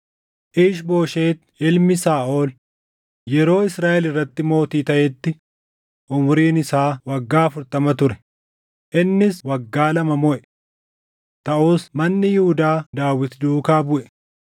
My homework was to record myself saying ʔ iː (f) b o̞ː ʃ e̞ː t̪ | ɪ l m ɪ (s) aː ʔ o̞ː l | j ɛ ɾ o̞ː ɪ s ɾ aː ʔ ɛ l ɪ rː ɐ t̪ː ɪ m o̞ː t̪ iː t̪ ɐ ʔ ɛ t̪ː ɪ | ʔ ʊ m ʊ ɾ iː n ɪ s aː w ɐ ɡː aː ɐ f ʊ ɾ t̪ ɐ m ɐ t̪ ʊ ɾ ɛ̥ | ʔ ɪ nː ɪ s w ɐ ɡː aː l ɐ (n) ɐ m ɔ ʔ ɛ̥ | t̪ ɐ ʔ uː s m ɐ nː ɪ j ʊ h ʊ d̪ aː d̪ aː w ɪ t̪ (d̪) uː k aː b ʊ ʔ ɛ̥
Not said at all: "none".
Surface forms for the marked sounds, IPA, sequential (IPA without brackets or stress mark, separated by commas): ʃ, s, m, d̪